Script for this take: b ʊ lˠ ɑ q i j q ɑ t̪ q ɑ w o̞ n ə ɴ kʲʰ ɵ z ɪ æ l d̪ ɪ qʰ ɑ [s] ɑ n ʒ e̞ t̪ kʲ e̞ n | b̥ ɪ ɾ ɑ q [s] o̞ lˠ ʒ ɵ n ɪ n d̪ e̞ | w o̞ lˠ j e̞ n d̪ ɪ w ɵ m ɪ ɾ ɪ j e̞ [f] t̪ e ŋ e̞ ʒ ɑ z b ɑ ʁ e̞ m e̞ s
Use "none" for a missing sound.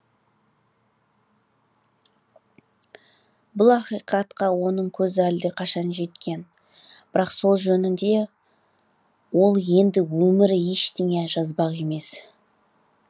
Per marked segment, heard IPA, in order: ʃ, s, ʃ

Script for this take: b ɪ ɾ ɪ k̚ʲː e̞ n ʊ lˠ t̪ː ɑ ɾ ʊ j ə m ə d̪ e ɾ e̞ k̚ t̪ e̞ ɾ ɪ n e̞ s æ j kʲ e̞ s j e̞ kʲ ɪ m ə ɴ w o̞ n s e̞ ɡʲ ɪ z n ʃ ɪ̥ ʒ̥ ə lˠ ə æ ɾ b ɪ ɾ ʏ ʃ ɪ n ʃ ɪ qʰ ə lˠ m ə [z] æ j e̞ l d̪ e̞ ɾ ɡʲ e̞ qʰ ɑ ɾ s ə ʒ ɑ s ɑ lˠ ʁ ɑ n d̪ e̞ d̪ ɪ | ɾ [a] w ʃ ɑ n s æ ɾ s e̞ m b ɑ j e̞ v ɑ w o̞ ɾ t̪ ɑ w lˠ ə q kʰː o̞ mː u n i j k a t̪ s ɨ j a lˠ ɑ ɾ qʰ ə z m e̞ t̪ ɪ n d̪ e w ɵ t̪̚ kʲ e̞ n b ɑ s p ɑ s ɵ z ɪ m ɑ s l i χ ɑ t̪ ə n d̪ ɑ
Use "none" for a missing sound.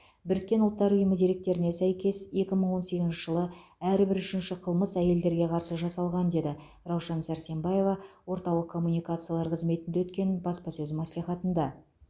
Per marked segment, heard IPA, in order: s, ɑ

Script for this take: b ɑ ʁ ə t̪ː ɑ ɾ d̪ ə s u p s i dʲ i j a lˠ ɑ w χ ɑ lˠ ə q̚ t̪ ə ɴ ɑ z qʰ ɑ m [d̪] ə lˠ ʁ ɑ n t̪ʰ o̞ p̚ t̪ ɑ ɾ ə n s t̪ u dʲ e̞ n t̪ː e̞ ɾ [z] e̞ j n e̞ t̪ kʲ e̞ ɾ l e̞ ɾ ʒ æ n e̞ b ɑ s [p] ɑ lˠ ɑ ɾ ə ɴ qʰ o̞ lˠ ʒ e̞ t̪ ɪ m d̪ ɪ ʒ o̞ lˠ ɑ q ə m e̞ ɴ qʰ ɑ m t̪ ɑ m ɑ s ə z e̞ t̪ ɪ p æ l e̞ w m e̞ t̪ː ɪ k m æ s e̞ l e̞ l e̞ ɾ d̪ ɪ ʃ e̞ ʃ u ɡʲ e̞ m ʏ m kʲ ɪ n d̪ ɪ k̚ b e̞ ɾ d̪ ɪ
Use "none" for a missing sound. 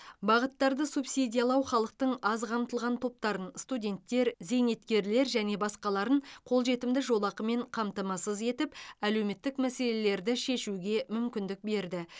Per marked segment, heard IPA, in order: t̪, z, q

